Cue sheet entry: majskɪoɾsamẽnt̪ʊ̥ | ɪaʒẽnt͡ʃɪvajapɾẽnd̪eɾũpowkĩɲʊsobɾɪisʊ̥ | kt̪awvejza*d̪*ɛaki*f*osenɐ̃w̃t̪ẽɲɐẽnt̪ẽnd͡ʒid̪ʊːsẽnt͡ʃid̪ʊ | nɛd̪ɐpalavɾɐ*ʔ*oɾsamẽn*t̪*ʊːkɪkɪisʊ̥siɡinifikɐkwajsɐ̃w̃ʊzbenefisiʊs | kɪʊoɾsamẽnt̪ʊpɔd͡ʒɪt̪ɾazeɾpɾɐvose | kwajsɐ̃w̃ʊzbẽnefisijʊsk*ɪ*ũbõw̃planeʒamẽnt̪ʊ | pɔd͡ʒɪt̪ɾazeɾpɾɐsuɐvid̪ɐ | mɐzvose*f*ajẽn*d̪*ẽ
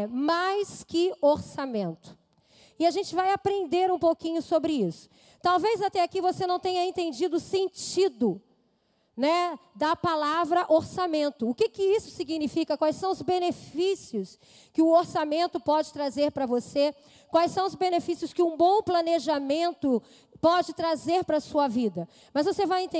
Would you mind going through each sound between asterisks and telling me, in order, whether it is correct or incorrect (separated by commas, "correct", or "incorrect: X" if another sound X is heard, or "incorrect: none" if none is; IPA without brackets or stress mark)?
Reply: incorrect: t̪, incorrect: v, correct, correct, correct, incorrect: v, incorrect: t̪